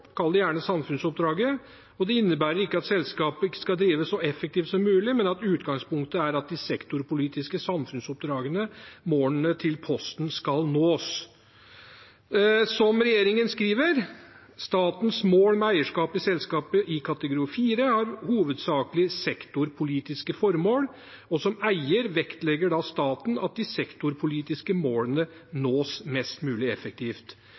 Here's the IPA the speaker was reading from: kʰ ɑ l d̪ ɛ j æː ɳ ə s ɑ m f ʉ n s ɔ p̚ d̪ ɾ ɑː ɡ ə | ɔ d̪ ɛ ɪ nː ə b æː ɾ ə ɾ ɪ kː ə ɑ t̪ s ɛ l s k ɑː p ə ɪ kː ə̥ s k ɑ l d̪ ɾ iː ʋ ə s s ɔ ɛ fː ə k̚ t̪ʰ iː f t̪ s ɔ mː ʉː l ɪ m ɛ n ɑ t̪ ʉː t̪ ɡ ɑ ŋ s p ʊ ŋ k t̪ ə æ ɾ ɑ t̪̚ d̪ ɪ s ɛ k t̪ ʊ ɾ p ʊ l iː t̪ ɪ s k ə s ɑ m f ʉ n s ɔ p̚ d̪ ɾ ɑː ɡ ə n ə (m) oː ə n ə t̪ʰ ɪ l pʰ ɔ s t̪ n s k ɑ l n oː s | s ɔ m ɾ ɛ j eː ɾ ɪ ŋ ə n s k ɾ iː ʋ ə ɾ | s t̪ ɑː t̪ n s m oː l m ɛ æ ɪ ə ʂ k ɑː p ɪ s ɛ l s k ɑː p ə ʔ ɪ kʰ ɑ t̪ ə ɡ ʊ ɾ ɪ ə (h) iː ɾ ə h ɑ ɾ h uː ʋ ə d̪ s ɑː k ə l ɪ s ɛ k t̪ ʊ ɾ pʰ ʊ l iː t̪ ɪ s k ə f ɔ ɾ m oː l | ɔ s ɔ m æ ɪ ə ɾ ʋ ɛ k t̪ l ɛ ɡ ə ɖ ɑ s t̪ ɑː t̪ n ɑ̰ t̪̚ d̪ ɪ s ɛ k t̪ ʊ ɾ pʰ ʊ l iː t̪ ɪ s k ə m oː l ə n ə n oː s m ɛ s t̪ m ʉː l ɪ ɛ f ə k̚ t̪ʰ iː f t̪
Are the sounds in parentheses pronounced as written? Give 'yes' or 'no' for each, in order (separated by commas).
yes, no